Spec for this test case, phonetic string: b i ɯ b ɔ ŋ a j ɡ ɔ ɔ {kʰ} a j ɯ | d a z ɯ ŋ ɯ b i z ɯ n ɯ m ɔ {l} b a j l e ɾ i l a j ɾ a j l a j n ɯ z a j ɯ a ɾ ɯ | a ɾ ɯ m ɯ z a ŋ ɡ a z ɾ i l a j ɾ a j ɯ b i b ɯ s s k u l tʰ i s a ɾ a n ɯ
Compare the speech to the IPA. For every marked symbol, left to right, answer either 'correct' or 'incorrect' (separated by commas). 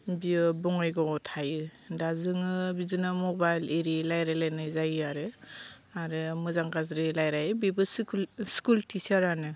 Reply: incorrect, incorrect